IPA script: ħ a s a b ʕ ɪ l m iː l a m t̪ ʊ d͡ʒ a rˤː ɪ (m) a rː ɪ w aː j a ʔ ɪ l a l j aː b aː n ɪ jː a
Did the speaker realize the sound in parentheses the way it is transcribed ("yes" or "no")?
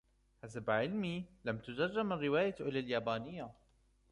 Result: yes